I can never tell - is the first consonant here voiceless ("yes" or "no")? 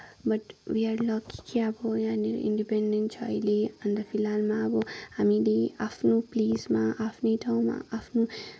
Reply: no